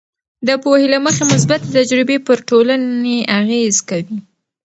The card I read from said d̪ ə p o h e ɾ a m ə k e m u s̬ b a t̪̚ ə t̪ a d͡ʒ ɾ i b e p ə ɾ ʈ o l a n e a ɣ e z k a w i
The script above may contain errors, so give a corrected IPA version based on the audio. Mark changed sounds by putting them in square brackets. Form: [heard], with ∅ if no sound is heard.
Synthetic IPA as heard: d̪ ə p o h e [l] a m ə [x] e m [ʊ] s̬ b a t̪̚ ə t̪ a d͡ʒ ɾ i b e p ə ɾ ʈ o l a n e a ɣ e z k a w i